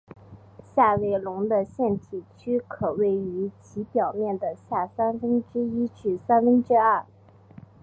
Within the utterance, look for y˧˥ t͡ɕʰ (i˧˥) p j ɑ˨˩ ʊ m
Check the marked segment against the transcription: correct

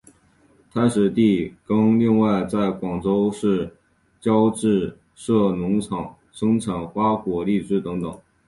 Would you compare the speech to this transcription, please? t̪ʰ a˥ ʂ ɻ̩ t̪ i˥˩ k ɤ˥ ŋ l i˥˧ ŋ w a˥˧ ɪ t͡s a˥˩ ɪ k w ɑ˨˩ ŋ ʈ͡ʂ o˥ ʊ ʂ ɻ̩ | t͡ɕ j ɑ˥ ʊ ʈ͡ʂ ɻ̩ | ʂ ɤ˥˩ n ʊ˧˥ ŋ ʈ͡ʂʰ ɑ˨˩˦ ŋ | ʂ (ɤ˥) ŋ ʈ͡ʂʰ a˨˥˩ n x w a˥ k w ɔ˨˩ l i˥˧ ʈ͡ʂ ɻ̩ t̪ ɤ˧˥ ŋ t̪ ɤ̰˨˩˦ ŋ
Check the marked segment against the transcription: correct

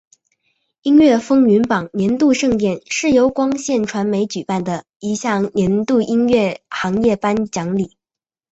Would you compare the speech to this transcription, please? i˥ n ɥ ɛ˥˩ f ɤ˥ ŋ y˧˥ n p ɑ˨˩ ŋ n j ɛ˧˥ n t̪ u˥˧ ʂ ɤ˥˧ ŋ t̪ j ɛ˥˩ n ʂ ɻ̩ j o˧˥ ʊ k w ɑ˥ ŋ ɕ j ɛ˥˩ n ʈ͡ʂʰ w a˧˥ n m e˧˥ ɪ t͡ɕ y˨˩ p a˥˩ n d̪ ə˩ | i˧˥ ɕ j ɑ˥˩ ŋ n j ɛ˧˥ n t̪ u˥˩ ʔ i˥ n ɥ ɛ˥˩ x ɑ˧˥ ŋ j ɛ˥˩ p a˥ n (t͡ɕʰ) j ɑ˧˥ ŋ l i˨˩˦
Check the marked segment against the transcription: incorrect: t͡ɕ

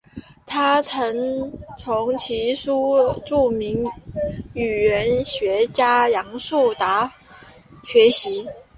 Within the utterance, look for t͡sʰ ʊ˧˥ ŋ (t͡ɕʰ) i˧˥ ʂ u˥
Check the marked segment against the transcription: correct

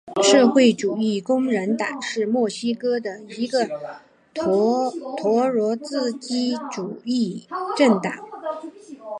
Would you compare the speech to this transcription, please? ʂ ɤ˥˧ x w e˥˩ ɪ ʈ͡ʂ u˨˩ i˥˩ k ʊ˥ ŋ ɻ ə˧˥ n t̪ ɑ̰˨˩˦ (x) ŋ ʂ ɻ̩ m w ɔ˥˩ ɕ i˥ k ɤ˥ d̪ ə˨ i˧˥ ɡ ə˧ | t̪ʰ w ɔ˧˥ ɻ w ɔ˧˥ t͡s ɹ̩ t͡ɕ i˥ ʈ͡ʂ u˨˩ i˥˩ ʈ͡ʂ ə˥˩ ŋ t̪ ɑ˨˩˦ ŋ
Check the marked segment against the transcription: incorrect: none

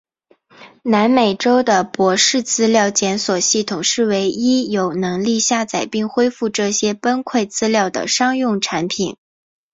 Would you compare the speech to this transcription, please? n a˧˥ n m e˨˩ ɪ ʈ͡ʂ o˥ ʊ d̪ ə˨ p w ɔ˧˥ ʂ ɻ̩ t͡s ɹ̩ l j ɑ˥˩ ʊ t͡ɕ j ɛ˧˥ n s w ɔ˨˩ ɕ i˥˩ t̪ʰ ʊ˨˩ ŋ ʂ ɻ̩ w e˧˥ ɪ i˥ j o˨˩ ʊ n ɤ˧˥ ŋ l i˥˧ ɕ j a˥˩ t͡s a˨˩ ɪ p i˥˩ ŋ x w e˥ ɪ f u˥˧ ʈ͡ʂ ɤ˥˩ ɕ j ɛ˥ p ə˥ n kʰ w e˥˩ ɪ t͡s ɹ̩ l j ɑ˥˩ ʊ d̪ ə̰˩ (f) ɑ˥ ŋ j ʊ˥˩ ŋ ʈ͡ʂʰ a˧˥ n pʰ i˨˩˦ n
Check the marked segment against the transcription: incorrect: ʂ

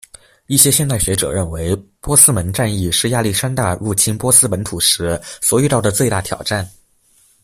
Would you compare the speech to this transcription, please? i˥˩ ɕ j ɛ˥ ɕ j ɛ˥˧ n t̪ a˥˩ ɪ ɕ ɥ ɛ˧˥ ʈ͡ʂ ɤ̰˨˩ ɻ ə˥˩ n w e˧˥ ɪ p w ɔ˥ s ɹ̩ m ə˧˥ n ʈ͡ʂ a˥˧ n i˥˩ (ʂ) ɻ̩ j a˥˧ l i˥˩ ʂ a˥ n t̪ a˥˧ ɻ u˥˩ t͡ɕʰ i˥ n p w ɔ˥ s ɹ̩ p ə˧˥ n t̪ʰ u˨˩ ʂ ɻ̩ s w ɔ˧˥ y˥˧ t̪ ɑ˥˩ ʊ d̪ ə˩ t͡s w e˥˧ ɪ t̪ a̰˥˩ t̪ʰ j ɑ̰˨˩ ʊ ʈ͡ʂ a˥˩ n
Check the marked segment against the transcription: correct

